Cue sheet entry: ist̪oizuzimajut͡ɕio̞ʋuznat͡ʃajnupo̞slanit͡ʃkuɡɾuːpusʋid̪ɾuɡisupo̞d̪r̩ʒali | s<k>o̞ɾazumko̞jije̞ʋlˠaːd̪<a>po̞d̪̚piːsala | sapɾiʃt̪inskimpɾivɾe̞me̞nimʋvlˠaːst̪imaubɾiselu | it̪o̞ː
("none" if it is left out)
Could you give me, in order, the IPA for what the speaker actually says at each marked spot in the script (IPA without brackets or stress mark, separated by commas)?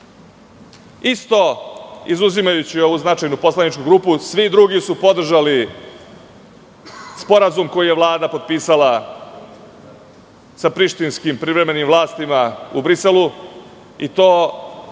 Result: p, a